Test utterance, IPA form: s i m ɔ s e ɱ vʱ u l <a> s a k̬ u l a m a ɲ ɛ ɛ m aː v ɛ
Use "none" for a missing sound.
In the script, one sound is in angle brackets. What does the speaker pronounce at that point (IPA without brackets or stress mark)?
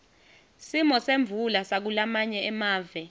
a